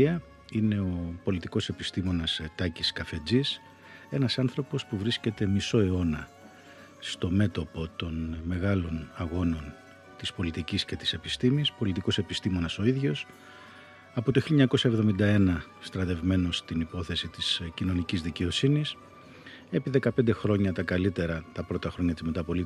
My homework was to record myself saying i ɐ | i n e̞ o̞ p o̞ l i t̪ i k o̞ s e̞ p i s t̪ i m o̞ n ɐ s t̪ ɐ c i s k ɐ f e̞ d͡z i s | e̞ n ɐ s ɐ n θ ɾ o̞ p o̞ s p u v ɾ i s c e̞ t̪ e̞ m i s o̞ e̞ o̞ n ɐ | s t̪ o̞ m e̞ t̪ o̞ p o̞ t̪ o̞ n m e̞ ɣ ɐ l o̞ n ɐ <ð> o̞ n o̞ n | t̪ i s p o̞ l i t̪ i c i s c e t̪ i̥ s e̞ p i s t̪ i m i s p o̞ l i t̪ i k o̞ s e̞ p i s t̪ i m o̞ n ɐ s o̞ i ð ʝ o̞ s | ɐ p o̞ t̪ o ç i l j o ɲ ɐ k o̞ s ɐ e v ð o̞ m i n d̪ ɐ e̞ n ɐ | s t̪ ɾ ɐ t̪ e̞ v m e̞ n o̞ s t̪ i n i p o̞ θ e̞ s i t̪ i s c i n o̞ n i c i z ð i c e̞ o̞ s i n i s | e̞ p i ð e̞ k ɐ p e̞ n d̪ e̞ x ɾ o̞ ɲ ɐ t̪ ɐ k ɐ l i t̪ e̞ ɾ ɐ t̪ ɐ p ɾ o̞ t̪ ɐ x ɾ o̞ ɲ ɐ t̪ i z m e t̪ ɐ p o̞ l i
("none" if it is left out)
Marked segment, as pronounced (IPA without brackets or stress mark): ɣ